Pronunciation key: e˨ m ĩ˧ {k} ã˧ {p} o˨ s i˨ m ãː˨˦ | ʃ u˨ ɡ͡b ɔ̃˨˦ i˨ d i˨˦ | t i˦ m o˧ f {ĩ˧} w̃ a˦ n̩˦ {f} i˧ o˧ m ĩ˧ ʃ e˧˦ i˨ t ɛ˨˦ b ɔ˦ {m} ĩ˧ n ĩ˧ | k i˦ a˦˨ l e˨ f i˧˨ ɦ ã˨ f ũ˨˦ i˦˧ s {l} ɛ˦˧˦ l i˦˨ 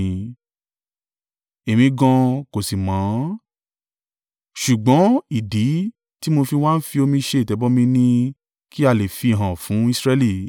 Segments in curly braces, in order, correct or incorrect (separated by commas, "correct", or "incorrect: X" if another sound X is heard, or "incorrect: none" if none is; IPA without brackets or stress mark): incorrect: ɡ, incorrect: k, incorrect: i˧, correct, correct, incorrect: ɾ